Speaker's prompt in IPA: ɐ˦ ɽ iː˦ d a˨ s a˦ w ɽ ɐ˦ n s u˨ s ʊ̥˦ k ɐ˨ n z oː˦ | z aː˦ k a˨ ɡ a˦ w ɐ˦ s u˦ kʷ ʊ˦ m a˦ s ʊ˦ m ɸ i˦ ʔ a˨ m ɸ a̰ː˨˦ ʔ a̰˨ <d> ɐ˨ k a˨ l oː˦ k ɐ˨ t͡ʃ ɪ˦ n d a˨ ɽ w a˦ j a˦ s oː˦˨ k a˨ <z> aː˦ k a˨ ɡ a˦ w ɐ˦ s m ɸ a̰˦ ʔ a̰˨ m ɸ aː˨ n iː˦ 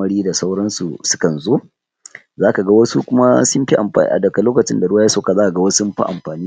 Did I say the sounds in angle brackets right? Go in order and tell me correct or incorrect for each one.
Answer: correct, correct

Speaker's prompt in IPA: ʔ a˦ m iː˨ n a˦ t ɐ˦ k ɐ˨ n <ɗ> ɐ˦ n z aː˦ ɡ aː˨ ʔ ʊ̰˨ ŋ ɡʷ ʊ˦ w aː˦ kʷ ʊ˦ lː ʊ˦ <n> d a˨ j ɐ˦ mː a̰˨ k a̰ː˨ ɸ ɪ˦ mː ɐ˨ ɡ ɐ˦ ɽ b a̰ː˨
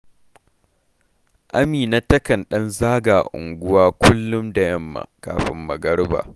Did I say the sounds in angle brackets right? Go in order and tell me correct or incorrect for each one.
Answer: correct, incorrect

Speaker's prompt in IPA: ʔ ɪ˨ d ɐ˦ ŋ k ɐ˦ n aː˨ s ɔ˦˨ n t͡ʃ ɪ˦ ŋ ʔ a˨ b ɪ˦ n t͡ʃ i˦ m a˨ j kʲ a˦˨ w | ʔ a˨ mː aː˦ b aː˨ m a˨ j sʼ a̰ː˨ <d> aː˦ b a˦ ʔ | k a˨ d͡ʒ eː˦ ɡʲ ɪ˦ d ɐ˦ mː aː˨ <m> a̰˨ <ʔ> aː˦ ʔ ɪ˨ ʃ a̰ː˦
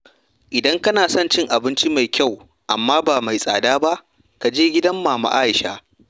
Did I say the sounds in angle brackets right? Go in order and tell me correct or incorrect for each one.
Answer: correct, correct, correct

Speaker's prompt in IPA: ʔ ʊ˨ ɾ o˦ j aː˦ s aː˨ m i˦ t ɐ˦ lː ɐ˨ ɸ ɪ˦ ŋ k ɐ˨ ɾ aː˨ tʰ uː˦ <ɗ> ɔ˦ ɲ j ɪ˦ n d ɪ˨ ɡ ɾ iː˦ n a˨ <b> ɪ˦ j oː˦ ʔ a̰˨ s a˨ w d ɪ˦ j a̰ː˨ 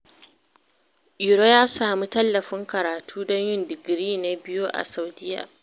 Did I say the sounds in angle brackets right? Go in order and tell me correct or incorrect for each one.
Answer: incorrect, correct

